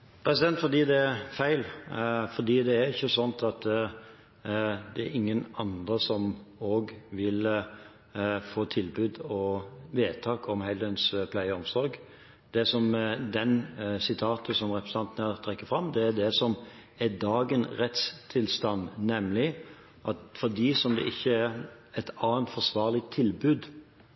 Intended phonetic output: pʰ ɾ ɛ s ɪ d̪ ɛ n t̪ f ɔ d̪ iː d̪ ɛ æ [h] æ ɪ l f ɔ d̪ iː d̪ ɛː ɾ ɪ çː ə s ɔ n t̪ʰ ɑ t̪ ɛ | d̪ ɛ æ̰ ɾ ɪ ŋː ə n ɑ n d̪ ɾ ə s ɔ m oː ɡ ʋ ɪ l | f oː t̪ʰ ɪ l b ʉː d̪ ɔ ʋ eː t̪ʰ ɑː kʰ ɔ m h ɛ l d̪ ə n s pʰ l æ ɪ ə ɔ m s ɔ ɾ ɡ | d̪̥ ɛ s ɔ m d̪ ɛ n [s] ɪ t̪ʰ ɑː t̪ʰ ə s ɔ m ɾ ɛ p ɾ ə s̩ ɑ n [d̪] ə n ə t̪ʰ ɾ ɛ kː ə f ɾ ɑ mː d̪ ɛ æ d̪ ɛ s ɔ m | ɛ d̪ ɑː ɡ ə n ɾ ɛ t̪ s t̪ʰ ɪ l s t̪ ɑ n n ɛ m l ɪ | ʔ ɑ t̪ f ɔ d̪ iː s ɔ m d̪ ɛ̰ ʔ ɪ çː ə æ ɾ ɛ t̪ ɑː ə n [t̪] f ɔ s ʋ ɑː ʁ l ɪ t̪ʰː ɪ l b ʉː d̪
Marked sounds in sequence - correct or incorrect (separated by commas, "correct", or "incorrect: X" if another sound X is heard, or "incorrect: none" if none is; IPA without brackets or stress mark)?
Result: incorrect: f, correct, incorrect: t̪, correct